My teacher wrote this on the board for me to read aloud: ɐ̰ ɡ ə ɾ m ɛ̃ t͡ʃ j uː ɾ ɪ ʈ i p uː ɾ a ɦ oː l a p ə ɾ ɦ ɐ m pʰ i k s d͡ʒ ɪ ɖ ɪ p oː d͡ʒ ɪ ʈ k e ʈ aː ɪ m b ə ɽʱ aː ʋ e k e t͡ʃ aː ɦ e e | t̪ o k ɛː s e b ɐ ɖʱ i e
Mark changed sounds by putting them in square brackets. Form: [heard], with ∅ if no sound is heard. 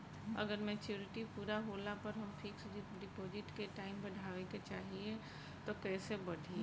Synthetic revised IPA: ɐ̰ ɡ ə ɾ m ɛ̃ t͡ʃ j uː ɾ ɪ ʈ i p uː ɾ a ɦ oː l a p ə ɾ ɦ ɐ m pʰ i k s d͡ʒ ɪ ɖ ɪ p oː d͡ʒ ɪ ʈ k e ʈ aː ɪ m b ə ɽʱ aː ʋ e k e t͡ʃ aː ɦ [i] e | t̪ o k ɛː s e b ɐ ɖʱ i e